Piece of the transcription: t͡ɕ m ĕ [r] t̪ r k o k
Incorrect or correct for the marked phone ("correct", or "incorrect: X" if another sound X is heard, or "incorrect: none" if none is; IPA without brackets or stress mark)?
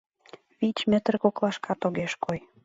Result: incorrect: none